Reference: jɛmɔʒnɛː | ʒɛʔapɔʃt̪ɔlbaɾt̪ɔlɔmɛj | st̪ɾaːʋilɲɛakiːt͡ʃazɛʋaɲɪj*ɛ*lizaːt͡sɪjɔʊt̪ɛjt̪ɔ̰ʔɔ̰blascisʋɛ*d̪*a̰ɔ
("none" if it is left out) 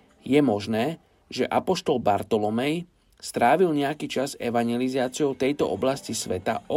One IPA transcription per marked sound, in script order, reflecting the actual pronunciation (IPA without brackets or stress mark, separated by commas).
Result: ɛ, t̪